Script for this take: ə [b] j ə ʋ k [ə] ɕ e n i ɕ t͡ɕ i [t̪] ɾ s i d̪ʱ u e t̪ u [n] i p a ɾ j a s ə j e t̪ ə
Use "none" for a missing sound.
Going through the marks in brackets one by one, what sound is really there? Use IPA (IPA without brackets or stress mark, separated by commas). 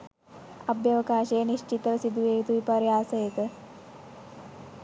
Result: b, a, t̪, none